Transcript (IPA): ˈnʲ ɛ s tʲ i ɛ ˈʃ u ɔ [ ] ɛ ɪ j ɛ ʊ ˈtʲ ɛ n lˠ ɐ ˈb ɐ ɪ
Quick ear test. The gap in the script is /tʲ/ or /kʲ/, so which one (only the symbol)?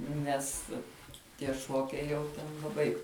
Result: kʲ